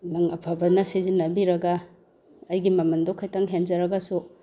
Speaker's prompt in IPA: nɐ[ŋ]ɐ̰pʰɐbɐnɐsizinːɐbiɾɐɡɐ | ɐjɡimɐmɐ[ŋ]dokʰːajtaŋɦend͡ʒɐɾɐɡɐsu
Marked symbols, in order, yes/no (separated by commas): yes, no